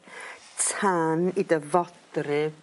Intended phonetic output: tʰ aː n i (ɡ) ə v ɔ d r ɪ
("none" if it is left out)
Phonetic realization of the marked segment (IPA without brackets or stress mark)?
d